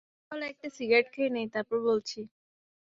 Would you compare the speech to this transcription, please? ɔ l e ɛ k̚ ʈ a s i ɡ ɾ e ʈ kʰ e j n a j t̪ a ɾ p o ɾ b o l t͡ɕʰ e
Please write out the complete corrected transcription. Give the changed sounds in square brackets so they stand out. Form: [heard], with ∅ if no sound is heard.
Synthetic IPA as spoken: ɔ l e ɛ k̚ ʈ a s i ɡ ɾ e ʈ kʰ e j n [e] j t̪ a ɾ p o ɾ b o l t͡ɕʰ [i]